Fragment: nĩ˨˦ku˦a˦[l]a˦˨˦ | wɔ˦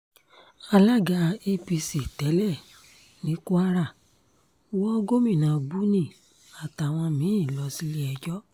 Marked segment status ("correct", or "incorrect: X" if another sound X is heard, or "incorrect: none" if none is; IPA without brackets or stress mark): incorrect: ɾ